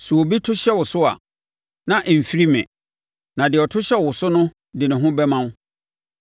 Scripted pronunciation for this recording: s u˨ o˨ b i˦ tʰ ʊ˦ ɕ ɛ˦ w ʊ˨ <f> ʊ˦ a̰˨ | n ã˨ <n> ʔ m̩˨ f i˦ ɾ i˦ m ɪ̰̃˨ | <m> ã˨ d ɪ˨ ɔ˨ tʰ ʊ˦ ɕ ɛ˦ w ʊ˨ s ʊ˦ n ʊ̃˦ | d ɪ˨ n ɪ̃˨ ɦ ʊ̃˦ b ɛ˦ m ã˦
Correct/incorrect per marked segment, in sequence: incorrect: s, incorrect: none, incorrect: n

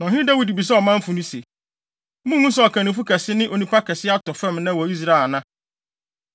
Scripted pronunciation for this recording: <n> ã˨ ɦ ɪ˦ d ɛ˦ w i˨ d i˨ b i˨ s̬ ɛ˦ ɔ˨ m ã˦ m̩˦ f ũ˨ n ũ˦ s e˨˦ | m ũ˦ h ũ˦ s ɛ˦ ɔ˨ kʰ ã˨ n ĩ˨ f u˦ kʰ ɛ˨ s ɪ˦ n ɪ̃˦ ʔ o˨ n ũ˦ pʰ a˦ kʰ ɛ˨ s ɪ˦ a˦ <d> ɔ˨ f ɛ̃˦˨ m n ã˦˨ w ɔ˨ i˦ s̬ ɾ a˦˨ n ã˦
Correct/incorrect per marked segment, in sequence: correct, incorrect: t

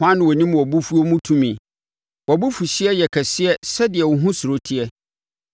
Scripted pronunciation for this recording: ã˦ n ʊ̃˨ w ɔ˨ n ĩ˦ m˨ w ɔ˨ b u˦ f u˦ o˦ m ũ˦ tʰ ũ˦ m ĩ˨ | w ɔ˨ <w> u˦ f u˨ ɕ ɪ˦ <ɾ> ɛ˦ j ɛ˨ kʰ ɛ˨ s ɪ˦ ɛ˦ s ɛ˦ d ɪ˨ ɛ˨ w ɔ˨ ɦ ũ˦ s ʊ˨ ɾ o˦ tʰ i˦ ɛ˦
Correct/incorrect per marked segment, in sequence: incorrect: b, incorrect: none

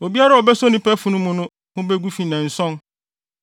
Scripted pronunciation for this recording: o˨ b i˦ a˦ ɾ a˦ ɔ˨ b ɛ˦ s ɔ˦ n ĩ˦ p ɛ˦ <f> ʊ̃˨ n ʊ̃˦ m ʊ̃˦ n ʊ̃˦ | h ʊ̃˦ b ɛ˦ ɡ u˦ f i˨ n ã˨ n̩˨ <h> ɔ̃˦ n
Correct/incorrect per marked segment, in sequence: correct, incorrect: s

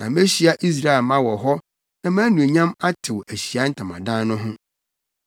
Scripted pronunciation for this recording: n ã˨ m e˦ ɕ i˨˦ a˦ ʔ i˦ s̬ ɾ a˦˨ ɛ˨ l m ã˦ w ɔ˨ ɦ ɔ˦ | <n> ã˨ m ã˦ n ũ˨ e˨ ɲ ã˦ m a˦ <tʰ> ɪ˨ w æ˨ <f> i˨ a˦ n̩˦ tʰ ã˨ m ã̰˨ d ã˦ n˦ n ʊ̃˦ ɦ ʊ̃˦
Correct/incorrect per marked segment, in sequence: correct, correct, incorrect: ɕ

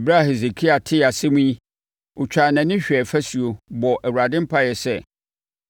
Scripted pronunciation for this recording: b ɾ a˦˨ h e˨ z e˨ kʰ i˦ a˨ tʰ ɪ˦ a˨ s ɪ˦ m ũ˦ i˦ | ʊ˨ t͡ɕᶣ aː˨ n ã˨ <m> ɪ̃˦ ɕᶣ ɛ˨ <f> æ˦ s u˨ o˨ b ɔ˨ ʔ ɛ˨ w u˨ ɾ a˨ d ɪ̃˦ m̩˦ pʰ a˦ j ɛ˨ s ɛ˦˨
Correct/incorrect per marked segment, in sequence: incorrect: n, correct

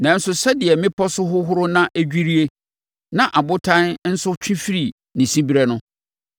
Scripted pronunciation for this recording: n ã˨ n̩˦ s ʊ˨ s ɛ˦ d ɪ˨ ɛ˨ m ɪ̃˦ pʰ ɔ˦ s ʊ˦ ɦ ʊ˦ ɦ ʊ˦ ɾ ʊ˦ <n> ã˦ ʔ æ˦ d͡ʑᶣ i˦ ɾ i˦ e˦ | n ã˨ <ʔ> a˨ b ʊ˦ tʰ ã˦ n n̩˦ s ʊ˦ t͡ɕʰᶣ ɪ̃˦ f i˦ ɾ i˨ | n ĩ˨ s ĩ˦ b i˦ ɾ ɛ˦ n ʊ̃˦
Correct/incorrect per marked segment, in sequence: correct, correct

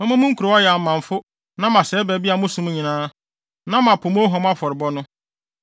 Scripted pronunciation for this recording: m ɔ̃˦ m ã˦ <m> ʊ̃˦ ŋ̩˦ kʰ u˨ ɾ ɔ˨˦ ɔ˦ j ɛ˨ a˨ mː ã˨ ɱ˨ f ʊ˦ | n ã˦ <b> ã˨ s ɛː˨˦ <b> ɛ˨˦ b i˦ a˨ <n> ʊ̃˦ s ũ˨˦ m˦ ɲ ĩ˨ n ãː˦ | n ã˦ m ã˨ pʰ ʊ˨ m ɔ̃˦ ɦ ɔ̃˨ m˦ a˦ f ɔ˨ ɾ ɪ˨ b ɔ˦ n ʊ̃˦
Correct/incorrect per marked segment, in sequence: correct, incorrect: m, correct, incorrect: m

